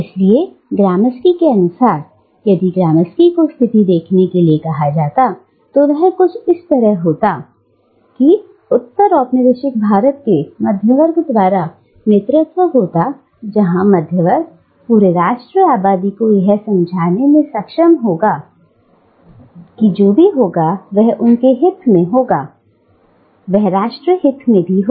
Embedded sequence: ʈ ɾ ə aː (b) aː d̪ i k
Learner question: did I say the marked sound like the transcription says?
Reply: yes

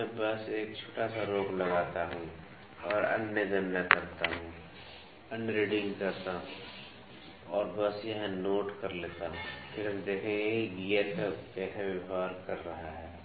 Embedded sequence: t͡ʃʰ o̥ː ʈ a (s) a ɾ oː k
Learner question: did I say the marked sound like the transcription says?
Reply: yes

